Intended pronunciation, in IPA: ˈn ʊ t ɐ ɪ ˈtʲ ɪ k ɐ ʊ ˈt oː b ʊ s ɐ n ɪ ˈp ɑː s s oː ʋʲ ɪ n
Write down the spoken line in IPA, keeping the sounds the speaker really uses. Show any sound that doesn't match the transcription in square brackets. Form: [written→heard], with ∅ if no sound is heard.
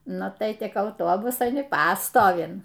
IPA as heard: ˈn ʊ t ɐ ɪ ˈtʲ ɪ k ɐ ʊ ˈt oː b ʊ s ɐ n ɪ ˈp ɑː s [s→t] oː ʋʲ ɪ n